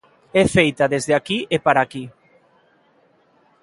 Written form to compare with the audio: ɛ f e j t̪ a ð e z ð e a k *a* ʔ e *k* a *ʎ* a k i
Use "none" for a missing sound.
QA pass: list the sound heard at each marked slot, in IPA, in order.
i, p, ɾ

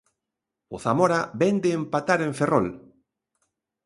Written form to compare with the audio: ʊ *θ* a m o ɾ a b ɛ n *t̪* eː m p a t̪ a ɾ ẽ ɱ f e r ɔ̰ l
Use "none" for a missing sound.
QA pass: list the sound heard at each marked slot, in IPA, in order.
θ, d̪

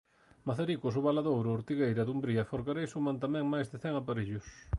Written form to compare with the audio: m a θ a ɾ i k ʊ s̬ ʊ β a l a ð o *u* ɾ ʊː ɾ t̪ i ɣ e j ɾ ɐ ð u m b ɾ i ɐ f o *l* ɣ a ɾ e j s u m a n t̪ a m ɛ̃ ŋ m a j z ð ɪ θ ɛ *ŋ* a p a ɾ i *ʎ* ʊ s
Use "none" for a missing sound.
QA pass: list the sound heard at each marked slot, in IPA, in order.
w, ɾ, ŋ, ʎ

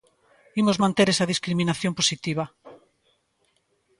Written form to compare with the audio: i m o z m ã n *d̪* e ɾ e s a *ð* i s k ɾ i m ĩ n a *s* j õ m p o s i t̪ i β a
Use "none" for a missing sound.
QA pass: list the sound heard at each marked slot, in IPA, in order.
t̪, ð, θ

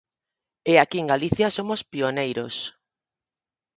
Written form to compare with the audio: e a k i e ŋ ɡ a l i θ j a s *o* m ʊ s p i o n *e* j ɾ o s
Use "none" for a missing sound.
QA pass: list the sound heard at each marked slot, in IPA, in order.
o, e

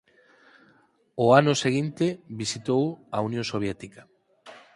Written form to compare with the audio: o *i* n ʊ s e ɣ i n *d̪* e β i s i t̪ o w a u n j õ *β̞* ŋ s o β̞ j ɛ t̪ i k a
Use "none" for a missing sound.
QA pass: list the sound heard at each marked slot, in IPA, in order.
a, t̪, none

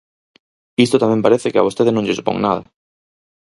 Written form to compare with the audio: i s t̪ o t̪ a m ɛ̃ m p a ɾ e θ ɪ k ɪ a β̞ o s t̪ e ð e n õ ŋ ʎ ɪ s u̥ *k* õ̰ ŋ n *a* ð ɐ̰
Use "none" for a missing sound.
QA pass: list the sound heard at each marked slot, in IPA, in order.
p, a

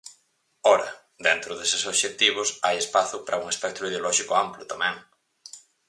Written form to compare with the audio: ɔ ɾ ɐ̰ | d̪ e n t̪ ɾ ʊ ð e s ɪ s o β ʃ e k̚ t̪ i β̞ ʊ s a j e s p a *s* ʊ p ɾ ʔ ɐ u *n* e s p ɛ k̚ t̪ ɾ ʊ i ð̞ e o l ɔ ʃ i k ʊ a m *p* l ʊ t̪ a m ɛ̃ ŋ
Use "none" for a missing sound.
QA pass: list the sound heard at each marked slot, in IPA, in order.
θ, ŋ, p

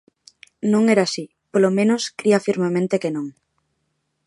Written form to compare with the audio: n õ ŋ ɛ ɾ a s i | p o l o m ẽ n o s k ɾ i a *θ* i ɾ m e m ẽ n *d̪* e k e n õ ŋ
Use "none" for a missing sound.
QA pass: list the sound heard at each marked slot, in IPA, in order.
f, t̪

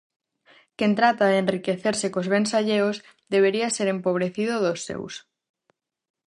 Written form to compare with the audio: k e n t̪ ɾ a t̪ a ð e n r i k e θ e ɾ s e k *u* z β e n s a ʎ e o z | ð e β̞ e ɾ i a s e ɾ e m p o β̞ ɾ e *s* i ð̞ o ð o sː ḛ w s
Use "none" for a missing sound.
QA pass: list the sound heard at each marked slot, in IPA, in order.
o, θ

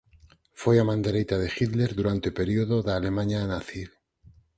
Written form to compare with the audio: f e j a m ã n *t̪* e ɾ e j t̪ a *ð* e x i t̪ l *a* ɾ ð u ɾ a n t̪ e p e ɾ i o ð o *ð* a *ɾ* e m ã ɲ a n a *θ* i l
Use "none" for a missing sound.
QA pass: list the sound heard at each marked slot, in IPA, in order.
d̪, ð, e, ð, l, θ

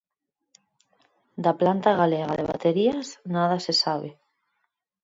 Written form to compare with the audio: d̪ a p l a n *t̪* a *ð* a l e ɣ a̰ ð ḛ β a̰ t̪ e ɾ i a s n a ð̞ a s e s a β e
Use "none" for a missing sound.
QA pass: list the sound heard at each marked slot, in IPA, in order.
t̪, ɣ

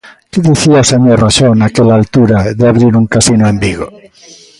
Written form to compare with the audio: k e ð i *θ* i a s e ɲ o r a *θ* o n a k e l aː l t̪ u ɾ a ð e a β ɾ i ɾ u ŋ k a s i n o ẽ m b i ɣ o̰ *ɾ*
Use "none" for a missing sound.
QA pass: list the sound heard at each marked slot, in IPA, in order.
θ, ʃ, none

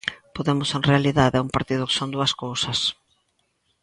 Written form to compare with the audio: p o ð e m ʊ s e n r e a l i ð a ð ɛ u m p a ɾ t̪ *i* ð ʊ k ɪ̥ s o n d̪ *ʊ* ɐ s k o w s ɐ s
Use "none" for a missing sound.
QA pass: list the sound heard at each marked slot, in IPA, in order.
i, u

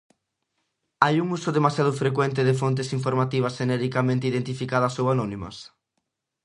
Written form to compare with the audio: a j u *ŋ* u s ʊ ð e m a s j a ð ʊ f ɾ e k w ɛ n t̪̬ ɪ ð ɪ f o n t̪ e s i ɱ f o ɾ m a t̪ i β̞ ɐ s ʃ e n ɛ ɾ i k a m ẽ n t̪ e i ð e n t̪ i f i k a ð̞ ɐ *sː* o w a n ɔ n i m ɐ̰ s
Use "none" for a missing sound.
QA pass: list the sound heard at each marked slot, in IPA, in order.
ŋ, s

